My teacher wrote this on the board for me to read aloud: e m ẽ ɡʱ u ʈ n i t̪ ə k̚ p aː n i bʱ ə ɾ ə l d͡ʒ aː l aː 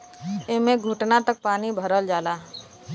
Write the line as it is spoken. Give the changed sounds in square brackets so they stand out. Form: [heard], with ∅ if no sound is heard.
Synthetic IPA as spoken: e m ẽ ɡʱ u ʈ n [a] t̪ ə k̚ p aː n i bʱ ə ɾ ə l d͡ʒ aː l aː

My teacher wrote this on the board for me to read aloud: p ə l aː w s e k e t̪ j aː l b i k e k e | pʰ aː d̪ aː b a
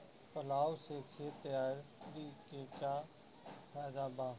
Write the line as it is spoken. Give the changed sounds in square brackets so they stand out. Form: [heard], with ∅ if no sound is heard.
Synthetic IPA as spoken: p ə l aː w s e [kʰ] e t̪ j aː [ɾ] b i k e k [a] | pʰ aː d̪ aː b a

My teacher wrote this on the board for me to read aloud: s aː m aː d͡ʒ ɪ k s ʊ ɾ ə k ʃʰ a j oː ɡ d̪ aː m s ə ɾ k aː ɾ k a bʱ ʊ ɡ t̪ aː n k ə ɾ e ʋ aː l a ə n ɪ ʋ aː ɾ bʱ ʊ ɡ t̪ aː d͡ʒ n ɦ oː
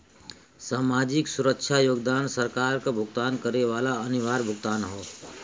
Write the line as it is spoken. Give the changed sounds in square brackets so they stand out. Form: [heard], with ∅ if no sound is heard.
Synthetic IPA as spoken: s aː m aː d͡ʒ ɪ k s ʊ ɾ ə k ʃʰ a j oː ɡ d̪ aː [n] s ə ɾ k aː ɾ k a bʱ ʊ ɡ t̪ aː n k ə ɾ e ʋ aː l a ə n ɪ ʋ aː ɾ bʱ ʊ ɡ t̪ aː [∅] n ɦ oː

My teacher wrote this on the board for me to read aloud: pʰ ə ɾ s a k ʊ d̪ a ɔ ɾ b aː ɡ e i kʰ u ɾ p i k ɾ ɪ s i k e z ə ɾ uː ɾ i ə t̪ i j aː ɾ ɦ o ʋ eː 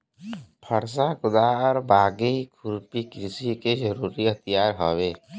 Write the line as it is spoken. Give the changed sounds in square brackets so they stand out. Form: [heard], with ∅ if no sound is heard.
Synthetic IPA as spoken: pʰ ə ɾ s a k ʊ d̪ a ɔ ɾ b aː ɡ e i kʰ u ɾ p i k ɾ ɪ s i k e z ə ɾ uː ɾ i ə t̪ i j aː ɾ ɦ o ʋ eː

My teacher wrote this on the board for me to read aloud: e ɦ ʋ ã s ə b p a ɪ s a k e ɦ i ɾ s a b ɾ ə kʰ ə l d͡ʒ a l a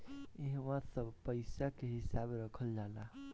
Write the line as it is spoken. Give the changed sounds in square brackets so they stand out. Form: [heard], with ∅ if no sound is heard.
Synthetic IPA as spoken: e ɦ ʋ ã s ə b p [ə] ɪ s a k e ɦ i [∅] s a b ɾ ə kʰ ə l d͡ʒ a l a

